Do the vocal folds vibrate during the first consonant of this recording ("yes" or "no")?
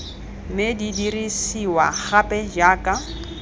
yes